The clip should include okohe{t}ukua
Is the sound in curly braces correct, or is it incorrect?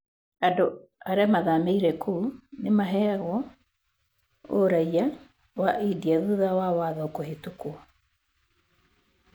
correct